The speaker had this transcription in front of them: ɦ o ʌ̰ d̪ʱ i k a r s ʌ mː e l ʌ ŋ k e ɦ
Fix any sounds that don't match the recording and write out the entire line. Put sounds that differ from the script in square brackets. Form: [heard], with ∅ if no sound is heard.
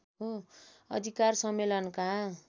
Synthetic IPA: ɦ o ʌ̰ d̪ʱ i k a r s ʌ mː e l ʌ [n] k [a] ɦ